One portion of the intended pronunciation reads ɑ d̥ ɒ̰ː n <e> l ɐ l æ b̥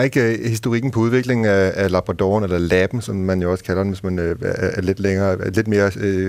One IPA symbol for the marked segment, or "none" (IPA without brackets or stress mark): e